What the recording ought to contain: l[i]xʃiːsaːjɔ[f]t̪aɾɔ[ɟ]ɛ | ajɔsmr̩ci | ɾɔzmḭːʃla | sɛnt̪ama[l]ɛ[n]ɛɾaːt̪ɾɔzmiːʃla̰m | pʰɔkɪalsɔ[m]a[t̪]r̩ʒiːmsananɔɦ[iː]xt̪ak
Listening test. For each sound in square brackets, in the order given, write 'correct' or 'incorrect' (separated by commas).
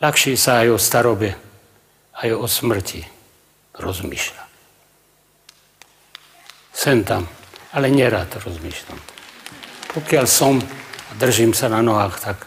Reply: incorrect, incorrect, incorrect, correct, incorrect, correct, incorrect, incorrect